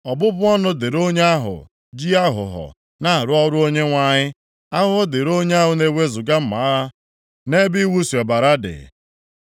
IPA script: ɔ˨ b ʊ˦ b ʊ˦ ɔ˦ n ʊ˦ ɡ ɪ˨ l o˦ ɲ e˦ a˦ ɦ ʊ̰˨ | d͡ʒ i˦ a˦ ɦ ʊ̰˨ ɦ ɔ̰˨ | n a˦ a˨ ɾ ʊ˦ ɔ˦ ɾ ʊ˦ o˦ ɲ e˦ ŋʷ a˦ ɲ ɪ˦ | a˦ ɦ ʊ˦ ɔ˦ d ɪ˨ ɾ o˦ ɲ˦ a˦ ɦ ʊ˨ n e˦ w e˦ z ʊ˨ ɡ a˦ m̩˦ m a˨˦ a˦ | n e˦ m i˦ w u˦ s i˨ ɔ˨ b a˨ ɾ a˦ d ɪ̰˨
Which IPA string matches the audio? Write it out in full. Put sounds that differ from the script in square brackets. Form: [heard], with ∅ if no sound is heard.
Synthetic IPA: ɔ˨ b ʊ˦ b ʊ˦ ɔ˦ n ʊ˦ [d] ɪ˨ [ɾ] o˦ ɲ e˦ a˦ ɦ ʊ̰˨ | d͡ʒ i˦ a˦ ɦ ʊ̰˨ ɦ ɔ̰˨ | n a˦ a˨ ɾ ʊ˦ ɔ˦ ɾ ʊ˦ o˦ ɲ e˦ ŋʷ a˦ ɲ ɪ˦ | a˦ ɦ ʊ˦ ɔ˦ d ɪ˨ ɾ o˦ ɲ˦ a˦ ɦ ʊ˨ n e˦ w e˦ z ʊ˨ ɡ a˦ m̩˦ m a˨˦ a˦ | n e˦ [b] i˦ w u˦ s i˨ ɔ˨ b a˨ ɾ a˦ d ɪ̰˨

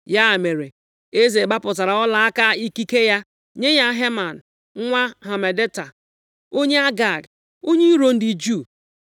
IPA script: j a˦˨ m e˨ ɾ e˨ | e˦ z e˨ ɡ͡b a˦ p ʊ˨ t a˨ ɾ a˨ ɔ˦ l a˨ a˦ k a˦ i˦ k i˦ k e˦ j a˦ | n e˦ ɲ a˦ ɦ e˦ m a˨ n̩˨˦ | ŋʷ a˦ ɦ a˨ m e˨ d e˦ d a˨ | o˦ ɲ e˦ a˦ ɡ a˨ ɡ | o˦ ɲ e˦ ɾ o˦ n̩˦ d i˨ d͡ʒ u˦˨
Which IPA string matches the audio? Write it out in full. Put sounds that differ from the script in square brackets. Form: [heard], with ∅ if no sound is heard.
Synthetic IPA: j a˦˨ m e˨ ɾ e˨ | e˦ z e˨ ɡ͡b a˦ p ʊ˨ t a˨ ɾ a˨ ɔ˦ l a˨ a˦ k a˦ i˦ k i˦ k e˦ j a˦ | [ɲ] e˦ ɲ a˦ ɦ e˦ m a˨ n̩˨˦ | ŋʷ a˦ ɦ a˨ m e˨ d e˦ [t] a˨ | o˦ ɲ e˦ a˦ ɡ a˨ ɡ | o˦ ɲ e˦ ɾ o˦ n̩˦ d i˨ d͡ʒ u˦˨

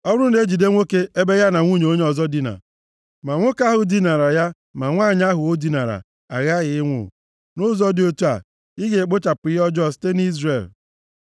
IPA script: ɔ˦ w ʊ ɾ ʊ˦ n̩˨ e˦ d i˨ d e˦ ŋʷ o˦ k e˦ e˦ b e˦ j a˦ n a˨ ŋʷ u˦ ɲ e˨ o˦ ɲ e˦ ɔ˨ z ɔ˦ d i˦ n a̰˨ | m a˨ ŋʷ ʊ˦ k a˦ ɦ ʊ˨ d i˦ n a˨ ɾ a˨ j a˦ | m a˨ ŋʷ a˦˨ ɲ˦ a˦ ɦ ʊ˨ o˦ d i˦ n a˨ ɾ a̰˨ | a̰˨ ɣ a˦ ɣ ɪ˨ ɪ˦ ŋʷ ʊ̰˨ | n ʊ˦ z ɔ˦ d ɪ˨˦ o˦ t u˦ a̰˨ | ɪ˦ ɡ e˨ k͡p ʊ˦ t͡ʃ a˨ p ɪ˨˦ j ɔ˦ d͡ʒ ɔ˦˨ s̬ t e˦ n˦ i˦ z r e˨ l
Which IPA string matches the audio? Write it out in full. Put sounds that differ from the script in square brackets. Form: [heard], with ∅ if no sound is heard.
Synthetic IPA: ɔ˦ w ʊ ɾ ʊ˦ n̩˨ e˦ [d͡ʒ] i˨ d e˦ ŋʷ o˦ k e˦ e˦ b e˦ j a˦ n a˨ ŋʷ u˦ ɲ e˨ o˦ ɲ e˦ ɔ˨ z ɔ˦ d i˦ n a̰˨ | m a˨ ŋʷ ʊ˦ k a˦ ɦ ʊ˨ d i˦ n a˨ ɾ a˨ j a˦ | m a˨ ŋʷ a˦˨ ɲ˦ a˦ ɦ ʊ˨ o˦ d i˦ n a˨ ɾ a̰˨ | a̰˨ ɣ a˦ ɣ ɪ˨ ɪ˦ ŋʷ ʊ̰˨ | n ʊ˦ z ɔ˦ d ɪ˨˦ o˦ t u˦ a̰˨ | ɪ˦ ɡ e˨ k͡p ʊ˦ t͡ʃ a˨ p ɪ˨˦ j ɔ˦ d͡ʒ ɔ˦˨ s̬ t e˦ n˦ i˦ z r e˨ l

